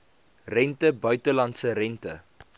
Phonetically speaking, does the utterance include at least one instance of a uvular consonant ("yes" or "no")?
no